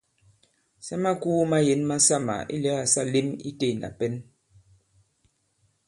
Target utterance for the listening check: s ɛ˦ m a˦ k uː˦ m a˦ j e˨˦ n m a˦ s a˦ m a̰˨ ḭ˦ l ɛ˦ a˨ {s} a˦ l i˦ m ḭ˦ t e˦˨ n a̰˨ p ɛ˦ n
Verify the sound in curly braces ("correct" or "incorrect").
correct